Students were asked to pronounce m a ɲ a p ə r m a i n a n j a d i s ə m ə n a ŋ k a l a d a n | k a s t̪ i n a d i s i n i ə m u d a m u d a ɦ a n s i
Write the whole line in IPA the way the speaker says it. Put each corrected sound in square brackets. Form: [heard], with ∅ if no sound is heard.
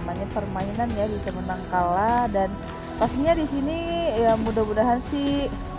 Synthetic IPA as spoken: m a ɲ a p ə r m a i n a n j a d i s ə m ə n a ŋ k a l a d a n | [p] a s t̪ i [ɲ] a d i s i n i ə m u d a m u d a ɦ a n s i